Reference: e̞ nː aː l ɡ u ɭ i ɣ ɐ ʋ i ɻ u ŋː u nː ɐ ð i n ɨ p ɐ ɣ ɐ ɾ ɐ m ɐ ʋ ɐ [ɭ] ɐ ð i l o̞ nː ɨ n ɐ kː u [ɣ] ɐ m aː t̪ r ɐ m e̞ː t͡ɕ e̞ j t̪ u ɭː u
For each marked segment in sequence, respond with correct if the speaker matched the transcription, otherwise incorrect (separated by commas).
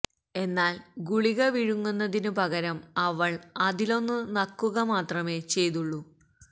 correct, correct